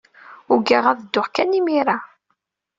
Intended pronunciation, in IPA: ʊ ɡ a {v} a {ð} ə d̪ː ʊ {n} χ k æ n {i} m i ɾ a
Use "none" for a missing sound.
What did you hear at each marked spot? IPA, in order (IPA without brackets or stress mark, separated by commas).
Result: ʁ, ð, none, i